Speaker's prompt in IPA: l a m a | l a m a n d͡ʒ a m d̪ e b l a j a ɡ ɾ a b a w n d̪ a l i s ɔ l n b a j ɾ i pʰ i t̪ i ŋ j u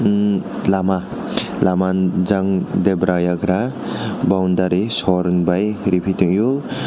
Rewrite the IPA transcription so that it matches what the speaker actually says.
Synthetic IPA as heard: l a m a | l a m a n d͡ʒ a ŋ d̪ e b ɾ a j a ɡ ɾ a b a w n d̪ a ɾ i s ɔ ɾ n b a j ɾ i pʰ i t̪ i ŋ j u

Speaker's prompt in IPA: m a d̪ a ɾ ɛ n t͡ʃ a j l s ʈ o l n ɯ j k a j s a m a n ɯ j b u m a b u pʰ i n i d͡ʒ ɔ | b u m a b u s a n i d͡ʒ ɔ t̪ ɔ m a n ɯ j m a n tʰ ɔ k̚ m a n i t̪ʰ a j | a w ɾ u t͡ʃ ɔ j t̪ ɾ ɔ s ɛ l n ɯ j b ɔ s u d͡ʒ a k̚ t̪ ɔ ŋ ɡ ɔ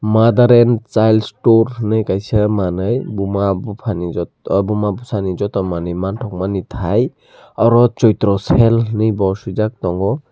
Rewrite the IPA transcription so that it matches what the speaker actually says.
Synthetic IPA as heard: m a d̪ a ɾ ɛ n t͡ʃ a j l s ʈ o ɾ n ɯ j k a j s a m a n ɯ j b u m a b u pʰ a n i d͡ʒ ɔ | b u m a b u s a n i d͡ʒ ɔ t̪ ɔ m a n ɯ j m a n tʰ ɔ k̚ m a n i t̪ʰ a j | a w ɾ ɔ t͡ʃ ɔ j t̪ ɾ ɔ s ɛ l n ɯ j b ɔ s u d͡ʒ a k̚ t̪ ɔ ŋ ɡ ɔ

